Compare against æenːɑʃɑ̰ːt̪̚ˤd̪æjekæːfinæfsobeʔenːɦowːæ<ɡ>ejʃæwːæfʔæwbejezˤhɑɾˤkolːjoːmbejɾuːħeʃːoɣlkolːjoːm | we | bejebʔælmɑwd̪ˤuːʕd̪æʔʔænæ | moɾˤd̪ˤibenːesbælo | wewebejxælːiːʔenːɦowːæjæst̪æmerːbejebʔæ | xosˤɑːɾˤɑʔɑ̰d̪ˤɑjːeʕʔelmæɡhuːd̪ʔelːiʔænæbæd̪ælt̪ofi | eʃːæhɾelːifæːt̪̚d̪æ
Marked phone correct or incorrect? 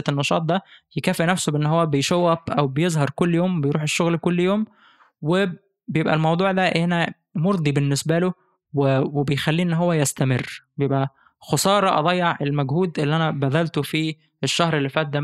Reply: incorrect